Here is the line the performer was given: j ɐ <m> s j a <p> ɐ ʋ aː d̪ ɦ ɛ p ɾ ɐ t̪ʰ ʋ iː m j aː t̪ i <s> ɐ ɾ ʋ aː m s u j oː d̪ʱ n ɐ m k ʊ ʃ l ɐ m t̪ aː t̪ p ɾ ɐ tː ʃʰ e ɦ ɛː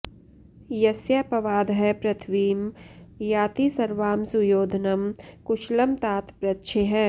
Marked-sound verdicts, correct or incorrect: incorrect: none, correct, correct

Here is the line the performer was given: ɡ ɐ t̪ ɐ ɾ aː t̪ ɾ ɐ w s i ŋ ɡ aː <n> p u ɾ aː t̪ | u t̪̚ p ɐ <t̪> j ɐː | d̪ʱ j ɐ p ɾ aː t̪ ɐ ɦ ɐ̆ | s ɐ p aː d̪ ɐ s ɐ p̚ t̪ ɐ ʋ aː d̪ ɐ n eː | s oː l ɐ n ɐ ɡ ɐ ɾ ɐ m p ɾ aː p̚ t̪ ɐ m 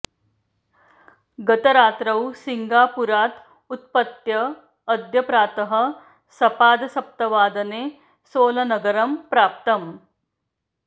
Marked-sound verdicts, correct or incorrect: incorrect: none, correct

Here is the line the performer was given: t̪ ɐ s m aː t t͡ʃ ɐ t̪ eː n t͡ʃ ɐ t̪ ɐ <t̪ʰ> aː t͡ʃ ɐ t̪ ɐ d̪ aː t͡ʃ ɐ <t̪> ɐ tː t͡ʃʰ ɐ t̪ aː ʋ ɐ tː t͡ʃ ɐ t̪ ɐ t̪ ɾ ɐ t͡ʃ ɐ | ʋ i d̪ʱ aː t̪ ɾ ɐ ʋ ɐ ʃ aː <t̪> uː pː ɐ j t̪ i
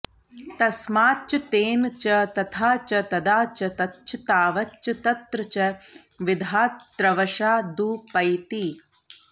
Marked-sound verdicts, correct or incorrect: correct, correct, incorrect: d̪

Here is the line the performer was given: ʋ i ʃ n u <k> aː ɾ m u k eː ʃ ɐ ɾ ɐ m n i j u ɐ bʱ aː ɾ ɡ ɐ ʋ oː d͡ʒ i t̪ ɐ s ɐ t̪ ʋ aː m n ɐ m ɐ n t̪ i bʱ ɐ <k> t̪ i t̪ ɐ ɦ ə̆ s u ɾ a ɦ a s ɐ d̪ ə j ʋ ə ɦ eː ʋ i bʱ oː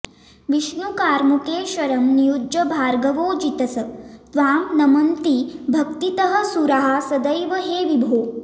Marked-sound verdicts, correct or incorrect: correct, correct

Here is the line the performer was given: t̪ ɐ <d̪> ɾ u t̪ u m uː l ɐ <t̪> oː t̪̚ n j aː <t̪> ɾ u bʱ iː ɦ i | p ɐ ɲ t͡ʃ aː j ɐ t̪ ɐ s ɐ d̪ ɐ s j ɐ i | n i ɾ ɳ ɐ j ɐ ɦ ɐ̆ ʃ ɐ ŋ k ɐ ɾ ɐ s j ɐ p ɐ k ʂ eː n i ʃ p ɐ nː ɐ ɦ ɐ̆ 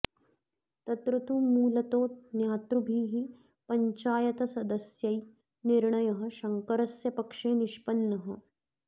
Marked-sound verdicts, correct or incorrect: incorrect: t̪, correct, correct

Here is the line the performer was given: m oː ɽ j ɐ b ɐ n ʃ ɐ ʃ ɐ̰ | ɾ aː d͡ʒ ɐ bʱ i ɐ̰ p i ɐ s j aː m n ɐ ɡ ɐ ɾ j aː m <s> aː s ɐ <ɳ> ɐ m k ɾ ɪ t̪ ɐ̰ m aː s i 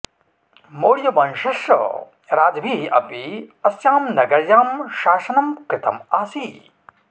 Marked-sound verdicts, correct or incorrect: incorrect: ʃ, incorrect: n

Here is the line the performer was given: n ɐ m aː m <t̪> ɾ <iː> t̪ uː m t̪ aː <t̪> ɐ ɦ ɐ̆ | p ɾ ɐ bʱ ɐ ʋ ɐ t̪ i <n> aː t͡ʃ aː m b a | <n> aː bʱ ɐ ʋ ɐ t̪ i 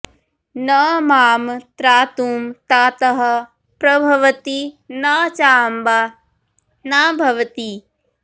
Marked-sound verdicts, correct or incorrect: correct, incorrect: aː, correct, correct, correct

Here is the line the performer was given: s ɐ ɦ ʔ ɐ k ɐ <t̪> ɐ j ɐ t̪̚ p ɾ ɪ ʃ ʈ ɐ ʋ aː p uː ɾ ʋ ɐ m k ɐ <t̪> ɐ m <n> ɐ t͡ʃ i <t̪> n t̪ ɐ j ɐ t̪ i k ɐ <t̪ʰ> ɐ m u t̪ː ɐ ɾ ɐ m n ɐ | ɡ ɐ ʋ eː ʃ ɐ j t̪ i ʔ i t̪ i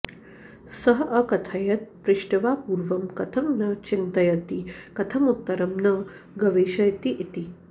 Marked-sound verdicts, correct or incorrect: incorrect: t̪ʰ, incorrect: t̪ʰ, correct, incorrect: none, correct

